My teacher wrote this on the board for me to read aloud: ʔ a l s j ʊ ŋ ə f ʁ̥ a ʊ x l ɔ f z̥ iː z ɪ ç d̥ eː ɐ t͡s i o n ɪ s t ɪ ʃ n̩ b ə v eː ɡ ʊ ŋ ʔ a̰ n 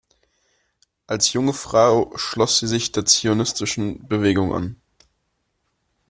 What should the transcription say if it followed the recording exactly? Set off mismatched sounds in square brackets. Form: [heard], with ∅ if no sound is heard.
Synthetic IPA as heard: ʔ a l s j ʊ ŋ ə f ʁ̥ a ʊ [ʃ] l ɔ [s] z̥ iː z ɪ ç d̥ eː ɐ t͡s i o n ɪ s t ɪ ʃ n̩ b ə v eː ɡ ʊ ŋ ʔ a̰ n